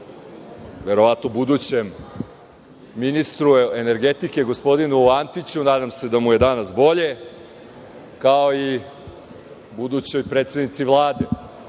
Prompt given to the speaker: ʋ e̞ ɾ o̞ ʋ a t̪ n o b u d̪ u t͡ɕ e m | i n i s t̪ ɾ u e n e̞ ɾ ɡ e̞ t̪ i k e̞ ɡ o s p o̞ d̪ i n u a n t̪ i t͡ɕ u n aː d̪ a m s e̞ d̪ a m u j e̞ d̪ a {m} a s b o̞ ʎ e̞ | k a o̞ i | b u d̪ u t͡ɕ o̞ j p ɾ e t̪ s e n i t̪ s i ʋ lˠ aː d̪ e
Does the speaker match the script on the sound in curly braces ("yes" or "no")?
no